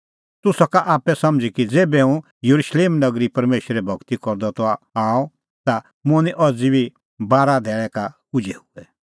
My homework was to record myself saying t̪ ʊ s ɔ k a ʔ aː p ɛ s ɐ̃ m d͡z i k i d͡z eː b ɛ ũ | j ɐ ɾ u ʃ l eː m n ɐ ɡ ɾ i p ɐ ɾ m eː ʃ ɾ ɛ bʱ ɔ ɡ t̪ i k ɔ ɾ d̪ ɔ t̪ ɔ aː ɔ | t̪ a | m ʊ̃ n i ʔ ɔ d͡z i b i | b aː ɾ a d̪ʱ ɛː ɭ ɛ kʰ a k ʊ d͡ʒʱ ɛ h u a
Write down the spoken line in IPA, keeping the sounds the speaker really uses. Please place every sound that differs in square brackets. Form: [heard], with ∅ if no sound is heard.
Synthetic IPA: t̪ ʊ s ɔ k a ʔ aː p ɛ s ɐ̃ m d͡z i k i d͡z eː b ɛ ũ | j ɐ ɾ u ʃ l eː m n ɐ ɡ ɾ i p ɐ ɾ m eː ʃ ɾ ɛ bʱ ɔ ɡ t̪ i k ɔ ɾ d̪ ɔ t̪ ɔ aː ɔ | t̪ a | m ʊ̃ n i ʔ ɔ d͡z i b i | b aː ɾ a d̪ʱ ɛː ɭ ɛ [k] a k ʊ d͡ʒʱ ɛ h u [ɛ]

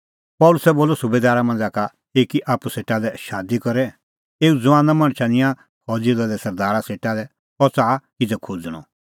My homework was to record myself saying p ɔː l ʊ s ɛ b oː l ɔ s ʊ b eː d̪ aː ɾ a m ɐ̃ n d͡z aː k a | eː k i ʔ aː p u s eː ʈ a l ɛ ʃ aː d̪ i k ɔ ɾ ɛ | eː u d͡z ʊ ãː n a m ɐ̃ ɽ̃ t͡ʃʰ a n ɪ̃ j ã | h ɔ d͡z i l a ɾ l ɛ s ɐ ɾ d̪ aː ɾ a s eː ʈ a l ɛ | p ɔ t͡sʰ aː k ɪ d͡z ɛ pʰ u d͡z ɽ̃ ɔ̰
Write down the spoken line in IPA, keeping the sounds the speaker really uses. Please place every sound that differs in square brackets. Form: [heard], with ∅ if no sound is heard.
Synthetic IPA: p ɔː l ʊ s ɛ b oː l ɔ s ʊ b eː d̪ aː ɾ a m ɐ̃ n d͡z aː k a | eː k i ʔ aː p u s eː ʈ a l ɛ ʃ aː d̪ i k ɔ ɾ ɛ | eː u d͡z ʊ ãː n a m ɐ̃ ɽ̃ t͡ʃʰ a n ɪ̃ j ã | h ɔ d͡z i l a [∅] l ɛ s ɐ ɾ d̪ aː ɾ a s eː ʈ a l ɛ | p ɔ [t͡s] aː k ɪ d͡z ɛ [kʰ] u d͡z ɽ̃ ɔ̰

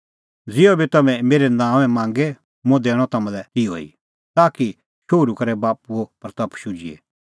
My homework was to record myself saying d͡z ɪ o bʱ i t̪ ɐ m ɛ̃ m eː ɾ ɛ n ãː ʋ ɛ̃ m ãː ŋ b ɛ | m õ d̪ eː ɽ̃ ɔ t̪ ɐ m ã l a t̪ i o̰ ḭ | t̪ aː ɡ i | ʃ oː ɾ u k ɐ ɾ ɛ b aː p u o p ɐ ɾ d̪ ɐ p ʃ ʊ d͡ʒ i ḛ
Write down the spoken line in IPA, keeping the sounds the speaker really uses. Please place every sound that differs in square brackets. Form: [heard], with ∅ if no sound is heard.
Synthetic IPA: d͡z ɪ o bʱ i t̪ ɐ m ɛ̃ m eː ɾ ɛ n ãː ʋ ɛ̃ m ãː ŋ [ɡ] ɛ | m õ d̪ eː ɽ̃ ɔ t̪ ɐ m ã l [ɛ] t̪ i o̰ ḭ | t̪ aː [k] i | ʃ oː ɾ u k ɐ ɾ ɛ b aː p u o p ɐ ɾ [t̪] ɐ p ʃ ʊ d͡ʒ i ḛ

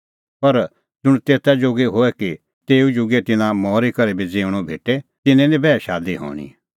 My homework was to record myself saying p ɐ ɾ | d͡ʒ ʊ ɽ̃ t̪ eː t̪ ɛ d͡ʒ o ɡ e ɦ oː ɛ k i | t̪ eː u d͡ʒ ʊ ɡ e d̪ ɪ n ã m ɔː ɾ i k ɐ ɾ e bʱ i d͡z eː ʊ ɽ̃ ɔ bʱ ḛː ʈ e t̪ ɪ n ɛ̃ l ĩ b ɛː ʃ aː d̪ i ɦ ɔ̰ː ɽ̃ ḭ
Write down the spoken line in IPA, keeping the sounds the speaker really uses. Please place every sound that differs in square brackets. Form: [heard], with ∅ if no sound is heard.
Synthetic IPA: p ɐ ɾ | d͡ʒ ʊ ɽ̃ t̪ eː t̪ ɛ d͡ʒ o ɡ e ɦ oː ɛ k i | t̪ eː u d͡ʒ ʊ ɡ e [t̪] ɪ n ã m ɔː ɾ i k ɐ ɾ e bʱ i d͡z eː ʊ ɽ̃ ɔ bʱ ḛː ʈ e t̪ ɪ n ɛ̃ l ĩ b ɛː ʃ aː d̪ i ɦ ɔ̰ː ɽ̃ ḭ

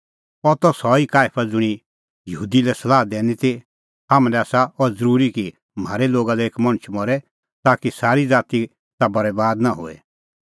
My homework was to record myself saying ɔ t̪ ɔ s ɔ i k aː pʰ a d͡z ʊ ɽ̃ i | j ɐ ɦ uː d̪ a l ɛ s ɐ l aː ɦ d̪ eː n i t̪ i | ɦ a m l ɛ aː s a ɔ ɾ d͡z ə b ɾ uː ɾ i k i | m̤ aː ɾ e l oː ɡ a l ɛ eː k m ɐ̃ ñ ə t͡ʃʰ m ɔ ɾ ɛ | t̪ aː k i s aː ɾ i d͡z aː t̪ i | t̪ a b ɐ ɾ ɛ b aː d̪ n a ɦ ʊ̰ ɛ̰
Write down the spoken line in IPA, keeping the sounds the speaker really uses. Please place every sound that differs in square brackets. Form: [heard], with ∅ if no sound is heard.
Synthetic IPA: ɔ t̪ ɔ s ɔ i k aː pʰ a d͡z ʊ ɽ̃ i | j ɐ ɦ uː d̪ [i] l ɛ s ɐ l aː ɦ d̪ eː n i t̪ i | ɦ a m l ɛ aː s a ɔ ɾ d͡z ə [∅] ɾ uː ɾ i k i | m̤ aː ɾ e l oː ɡ a l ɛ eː k m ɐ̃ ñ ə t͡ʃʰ m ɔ ɾ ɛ | t̪ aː k i s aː ɾ i d͡z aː t̪ i | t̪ a b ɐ ɾ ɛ b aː d̪ n a ɦ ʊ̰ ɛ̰

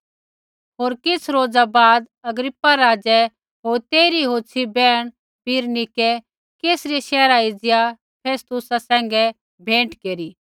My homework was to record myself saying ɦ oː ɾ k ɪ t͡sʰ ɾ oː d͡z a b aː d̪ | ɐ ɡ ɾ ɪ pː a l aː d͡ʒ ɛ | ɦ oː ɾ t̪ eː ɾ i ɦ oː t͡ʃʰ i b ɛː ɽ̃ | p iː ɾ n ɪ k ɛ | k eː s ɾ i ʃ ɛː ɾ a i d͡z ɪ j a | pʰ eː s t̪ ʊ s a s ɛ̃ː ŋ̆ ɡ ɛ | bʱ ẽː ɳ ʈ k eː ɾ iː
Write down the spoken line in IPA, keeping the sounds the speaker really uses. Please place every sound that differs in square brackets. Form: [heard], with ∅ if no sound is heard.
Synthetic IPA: ɦ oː ɾ k ɪ t͡sʰ ɾ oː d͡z a b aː d̪ | ɐ ɡ ɾ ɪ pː a [ɾ] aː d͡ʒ ɛ | ɦ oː ɾ t̪ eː ɾ i ɦ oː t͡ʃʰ i b ɛː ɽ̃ | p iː ɾ n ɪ k ɛ | k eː s ɾ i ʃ ɛː ɾ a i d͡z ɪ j a | pʰ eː s t̪ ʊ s a s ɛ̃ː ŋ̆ ɡ ɛ | bʱ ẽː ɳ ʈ k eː ɾ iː

